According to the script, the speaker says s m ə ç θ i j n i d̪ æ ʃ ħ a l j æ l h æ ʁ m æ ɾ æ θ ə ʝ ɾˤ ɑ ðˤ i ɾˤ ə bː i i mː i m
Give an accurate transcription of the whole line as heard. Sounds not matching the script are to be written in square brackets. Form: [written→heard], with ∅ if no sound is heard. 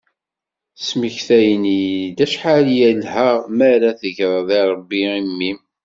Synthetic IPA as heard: s m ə ç θ [i→æ] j n i d̪ æ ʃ ħ a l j æ l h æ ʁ m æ ɾ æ θ ə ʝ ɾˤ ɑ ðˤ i ɾˤ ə bː i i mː i m